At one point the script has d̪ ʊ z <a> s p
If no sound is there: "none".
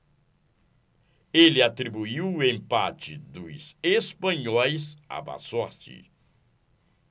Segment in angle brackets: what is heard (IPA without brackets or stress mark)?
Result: e